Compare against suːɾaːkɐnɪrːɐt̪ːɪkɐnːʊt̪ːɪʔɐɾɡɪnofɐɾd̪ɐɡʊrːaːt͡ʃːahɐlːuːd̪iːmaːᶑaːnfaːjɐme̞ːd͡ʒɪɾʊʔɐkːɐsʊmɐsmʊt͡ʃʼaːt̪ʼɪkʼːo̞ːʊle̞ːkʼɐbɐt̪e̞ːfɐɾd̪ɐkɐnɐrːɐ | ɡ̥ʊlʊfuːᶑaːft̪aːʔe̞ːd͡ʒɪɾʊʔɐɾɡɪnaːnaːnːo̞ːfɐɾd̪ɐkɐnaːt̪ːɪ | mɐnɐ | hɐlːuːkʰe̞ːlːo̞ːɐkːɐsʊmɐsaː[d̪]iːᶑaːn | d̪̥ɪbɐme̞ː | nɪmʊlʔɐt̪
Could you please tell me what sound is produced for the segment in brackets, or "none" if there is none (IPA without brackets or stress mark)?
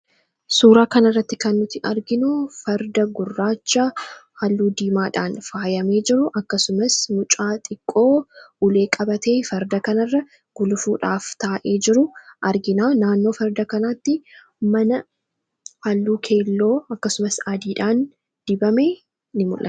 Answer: d̪